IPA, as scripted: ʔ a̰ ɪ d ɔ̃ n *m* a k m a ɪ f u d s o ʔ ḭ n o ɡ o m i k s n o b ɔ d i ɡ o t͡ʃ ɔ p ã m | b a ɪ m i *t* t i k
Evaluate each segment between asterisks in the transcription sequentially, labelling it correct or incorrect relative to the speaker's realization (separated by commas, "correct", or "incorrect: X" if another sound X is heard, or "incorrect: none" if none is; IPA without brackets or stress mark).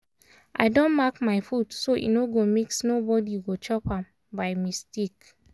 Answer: correct, incorrect: s